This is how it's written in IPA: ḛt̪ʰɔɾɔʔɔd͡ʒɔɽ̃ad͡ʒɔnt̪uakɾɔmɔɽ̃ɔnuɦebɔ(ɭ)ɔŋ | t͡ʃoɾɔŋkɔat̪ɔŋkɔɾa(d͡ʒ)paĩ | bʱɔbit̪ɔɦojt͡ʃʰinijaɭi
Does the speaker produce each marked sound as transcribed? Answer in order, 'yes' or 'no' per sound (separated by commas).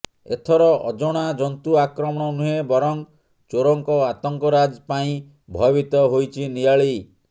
no, yes